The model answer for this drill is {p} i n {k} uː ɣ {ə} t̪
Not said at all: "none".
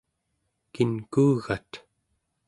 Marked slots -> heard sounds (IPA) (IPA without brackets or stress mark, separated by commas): k, k, a